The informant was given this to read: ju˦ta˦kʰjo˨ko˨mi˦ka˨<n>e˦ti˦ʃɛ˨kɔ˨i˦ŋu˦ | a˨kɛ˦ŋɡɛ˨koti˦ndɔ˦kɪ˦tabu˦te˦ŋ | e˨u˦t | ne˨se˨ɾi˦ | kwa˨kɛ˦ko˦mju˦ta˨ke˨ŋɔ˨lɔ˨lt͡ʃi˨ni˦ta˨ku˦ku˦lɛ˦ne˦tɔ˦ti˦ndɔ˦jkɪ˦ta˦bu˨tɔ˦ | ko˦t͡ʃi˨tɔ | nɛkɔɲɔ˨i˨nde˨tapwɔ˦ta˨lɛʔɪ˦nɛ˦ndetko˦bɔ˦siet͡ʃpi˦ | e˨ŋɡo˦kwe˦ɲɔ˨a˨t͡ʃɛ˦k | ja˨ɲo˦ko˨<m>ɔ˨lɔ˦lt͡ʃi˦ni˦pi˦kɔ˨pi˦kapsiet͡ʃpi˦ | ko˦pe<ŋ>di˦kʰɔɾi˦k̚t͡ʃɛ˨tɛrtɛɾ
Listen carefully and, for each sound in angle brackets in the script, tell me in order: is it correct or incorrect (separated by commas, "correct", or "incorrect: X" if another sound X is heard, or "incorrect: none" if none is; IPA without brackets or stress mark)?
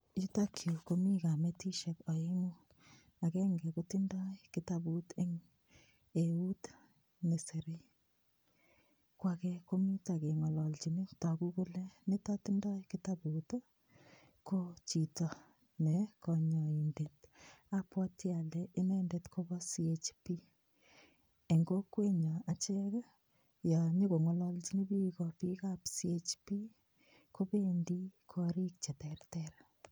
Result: incorrect: m, incorrect: ŋ, incorrect: n